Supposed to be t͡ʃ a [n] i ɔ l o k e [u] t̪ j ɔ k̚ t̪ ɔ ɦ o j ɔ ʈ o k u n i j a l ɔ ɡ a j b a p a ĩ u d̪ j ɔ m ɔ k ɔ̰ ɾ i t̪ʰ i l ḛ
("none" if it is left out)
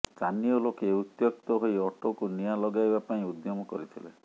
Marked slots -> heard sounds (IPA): n, u

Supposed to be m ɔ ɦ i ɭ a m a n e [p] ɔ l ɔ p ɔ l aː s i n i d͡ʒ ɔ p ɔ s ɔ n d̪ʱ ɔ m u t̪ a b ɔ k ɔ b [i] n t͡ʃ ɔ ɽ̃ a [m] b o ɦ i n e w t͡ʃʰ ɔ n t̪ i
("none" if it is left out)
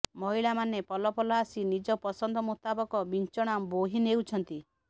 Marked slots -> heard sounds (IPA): p, i, m

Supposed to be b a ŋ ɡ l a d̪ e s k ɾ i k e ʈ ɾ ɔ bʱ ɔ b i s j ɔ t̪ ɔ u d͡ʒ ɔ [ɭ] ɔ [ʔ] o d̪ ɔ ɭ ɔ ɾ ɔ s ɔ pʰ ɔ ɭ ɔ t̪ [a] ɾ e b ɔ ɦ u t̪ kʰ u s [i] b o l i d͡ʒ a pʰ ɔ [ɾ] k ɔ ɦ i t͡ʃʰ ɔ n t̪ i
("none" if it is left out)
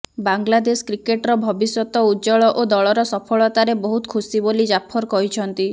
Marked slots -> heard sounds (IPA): ɭ, ʔ, a, i, ɾ

